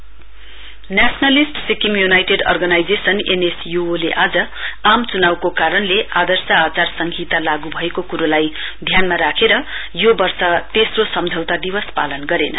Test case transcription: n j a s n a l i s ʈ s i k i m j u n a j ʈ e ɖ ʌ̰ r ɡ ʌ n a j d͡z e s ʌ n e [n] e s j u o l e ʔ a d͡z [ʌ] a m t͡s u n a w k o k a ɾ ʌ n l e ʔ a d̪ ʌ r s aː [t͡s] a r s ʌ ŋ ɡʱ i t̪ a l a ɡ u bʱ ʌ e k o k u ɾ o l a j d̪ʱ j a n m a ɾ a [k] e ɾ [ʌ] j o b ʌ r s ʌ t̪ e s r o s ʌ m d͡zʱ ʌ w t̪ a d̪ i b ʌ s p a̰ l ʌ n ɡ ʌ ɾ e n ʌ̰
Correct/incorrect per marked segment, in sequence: correct, correct, correct, incorrect: kʰ, correct

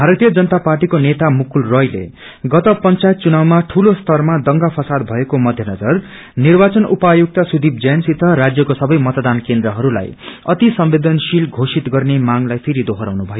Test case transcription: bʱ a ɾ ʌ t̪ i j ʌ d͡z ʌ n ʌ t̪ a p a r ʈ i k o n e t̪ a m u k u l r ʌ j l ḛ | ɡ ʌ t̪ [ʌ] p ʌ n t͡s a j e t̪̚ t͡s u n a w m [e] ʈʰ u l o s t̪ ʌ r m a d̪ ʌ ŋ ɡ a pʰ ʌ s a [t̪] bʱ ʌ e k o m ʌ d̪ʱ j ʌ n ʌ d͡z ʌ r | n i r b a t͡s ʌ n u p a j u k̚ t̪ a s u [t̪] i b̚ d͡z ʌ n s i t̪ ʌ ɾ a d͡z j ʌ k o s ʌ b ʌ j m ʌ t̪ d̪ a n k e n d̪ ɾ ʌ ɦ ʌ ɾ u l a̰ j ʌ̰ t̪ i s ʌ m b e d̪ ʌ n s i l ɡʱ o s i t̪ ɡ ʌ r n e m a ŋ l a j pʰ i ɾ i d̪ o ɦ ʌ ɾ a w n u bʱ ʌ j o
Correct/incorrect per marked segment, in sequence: correct, incorrect: a, incorrect: d̪, incorrect: d̪

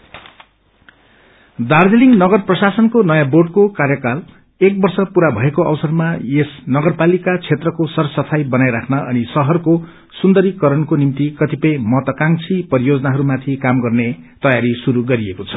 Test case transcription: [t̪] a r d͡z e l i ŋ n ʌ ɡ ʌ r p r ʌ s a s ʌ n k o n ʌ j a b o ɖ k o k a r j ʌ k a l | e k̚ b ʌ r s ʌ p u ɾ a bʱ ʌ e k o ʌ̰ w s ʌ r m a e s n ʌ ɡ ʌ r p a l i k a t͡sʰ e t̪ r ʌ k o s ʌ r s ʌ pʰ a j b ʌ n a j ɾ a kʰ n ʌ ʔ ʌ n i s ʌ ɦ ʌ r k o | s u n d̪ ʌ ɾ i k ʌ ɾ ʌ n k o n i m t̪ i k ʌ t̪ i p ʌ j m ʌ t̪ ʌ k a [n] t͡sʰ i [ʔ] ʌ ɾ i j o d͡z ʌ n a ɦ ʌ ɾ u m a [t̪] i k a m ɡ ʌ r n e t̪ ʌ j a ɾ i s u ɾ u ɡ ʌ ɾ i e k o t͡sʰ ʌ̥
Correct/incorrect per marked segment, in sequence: incorrect: d̪, incorrect: ŋ, incorrect: p, incorrect: t̪ʰ

